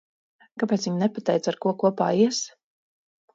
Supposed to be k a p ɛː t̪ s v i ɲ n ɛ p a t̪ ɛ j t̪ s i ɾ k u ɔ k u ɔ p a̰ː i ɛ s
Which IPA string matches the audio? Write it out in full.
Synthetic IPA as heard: k a p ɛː t̪ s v i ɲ n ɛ p a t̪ ɛ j t̪ s a ɾ k u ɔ k u ɔ p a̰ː i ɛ s